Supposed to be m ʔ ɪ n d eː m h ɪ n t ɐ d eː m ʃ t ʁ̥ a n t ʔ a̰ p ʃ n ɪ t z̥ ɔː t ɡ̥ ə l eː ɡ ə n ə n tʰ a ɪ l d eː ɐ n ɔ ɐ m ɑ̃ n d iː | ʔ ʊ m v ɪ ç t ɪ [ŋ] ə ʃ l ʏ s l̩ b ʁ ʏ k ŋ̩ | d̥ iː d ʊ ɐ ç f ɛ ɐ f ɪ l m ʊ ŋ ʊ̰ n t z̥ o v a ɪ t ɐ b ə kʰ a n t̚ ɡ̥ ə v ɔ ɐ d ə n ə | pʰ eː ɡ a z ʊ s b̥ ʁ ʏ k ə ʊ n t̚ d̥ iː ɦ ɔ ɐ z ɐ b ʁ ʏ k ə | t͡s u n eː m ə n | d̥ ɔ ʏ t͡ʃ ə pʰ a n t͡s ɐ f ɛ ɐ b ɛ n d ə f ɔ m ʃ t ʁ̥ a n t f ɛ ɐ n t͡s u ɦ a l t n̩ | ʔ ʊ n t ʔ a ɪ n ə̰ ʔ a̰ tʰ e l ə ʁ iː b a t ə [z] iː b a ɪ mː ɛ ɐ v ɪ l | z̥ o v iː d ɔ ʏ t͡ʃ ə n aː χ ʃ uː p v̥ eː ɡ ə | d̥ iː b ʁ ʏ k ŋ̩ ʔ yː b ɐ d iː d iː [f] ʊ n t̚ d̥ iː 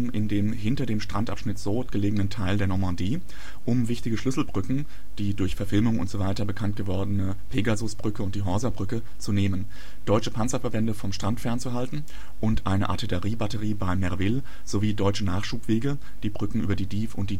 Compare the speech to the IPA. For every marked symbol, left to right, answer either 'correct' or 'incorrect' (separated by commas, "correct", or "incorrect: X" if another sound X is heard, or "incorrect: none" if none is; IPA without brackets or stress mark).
incorrect: ɡ, incorrect: ʁ, correct